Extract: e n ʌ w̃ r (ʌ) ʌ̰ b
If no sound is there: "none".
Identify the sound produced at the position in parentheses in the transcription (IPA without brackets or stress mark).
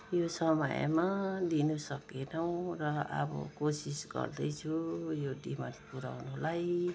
ʌ